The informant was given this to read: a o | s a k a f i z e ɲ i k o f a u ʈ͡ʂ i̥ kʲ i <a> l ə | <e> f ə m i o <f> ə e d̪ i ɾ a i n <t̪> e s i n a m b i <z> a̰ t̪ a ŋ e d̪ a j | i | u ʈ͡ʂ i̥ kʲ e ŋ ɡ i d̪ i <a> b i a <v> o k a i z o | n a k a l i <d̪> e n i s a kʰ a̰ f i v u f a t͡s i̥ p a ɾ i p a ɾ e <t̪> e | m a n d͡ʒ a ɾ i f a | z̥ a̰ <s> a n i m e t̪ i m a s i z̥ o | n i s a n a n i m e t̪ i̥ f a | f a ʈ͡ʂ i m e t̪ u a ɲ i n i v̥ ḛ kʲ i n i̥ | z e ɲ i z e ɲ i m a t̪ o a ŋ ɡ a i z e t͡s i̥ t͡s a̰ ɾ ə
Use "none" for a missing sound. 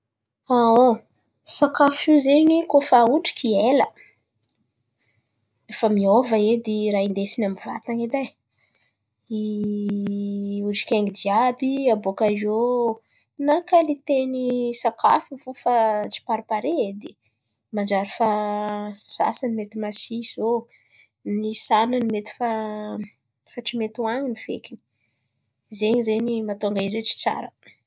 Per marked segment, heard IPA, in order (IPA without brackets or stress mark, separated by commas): e, e, v, d̪, v, a, b, t̪, d̪, s